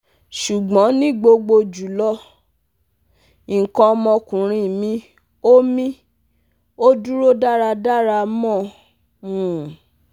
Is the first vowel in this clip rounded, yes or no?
yes